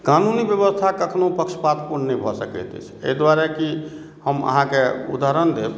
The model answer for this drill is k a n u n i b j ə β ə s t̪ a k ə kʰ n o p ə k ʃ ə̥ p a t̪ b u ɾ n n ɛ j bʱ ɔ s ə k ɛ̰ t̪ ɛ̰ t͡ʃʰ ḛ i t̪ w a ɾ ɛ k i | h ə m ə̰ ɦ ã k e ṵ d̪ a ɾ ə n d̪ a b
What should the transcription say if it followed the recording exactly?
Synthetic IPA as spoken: k a n u n i b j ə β ə s t̪ʰ a k ə kʰ n o p ə k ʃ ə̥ p a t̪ p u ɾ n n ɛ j bʱ ɔ s ə k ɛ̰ t̪ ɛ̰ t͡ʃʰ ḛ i d̪ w a ɾ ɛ k i | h ə m ə̰ ɦ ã k e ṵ d̪ a ɾ ə n d̪ e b

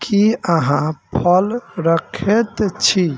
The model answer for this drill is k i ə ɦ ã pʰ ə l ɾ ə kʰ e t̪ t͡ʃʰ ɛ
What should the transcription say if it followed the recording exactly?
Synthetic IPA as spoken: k i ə ɦ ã pʰ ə l ɾ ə kʰ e t̪ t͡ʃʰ i

